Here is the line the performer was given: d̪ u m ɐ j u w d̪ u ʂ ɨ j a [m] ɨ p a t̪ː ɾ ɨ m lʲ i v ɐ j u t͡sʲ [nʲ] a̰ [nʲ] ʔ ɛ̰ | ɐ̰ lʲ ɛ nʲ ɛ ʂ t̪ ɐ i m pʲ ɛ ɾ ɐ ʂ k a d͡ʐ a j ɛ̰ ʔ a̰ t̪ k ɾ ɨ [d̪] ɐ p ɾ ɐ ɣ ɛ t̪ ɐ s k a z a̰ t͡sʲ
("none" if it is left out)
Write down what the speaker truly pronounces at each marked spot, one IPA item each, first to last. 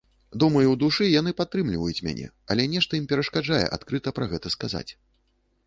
n, mʲ, nʲ, t̪

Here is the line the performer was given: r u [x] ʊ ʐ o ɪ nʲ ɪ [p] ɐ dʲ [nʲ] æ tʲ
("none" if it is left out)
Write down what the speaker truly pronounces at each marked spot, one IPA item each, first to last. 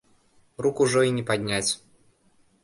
k, p, nʲ

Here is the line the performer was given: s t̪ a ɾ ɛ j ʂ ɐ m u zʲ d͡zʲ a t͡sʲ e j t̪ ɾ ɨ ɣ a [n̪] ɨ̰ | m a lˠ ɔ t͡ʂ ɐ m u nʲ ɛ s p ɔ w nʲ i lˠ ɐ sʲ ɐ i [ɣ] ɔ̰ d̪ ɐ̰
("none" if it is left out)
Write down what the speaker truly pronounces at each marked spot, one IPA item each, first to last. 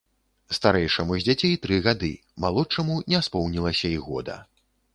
d̪, ɣ

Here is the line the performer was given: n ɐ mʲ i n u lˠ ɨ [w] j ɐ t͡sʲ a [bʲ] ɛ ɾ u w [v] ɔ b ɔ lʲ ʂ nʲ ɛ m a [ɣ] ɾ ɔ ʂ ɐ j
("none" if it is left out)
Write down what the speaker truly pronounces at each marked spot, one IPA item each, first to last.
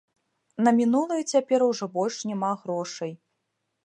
none, pʲ, ʐ, ɣ

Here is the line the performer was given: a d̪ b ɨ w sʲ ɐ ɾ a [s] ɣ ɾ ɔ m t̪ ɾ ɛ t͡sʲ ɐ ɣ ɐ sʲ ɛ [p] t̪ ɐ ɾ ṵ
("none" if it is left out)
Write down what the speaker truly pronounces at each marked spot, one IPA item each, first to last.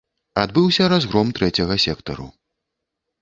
z, k

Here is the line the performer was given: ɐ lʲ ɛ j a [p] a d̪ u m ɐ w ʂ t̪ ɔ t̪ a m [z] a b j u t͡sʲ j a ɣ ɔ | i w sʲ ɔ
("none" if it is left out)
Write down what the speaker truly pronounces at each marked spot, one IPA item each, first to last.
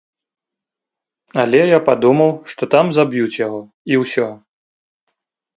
p, z

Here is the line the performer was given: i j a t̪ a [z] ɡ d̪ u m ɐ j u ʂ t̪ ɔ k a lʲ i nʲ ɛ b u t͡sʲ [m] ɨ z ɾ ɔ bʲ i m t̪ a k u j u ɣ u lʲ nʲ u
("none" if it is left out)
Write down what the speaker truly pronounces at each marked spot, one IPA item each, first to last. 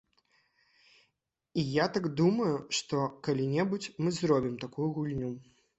none, m

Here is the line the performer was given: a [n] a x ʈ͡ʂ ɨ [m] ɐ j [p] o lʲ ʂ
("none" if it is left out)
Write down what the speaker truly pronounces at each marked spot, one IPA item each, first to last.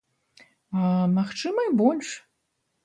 m, m, b

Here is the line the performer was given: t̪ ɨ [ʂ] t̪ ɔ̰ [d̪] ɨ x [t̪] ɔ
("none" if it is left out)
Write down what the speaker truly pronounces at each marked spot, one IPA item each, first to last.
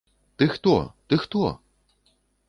x, t̪, t̪

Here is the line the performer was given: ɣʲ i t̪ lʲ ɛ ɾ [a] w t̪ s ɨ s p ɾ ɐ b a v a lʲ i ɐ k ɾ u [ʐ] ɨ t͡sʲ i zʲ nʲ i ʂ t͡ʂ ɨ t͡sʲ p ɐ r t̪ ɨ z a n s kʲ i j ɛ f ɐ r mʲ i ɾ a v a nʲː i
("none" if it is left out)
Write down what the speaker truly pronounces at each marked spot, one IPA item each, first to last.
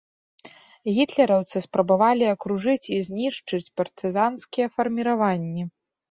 ɐ, ʐ

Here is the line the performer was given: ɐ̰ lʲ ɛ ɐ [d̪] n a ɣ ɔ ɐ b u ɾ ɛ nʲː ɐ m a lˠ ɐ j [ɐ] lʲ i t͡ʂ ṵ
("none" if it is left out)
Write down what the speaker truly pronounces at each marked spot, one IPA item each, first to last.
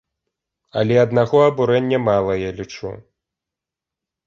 d̪, a

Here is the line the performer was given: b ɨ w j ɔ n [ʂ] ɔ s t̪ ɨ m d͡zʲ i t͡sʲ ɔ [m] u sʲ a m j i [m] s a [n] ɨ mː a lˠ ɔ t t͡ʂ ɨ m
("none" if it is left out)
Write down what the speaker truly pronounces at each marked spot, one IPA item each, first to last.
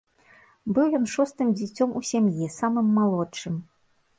ʂ, m, none, m

